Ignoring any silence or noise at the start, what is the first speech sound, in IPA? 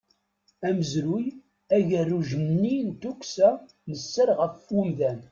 æ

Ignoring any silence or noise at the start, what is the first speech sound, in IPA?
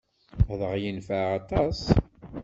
ð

